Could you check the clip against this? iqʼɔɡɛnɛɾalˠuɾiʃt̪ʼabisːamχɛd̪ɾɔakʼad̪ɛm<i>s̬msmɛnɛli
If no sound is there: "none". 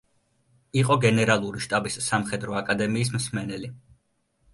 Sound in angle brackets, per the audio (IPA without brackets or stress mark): iː